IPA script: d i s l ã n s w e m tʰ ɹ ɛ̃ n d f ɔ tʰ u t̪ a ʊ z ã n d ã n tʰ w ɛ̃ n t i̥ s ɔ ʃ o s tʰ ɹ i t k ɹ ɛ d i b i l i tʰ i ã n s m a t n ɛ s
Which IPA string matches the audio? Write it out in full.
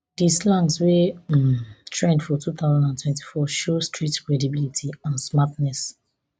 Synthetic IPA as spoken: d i s l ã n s w e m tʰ ɹ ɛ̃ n d f ɔ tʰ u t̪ a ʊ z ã n d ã n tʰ w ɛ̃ n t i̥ f ɔ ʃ o s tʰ ɹ i t k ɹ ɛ d i b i l i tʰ i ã n s m a t n ɛ s